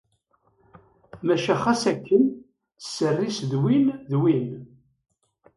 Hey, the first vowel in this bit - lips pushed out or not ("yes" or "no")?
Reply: no